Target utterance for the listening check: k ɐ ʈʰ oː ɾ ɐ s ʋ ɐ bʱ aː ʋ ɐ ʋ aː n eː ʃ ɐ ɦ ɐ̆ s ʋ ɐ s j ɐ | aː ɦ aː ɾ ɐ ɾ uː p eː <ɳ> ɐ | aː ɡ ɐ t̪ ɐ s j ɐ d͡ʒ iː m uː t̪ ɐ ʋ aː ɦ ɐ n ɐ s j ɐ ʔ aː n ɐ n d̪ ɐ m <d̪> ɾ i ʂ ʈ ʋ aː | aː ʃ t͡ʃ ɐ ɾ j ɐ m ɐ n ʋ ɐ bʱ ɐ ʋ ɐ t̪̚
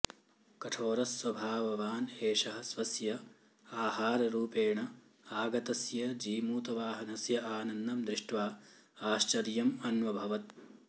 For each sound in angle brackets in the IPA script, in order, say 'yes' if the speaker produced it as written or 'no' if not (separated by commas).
yes, yes